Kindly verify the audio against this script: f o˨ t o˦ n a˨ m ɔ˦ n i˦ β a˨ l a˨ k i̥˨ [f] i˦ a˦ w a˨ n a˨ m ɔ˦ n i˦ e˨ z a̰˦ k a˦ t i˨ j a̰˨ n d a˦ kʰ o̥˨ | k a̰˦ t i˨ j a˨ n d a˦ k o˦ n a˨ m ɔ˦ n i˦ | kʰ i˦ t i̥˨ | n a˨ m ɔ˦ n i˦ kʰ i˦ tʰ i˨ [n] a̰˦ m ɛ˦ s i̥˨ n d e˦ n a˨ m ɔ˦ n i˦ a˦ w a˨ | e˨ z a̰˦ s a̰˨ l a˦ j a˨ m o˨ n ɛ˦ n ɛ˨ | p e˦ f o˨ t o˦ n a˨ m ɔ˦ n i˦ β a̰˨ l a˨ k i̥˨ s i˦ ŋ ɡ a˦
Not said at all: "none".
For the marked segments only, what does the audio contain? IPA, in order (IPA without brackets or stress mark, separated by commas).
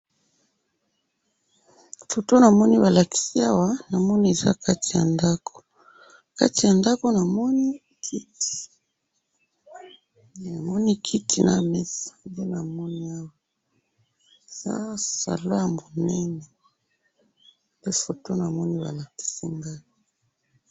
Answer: s, n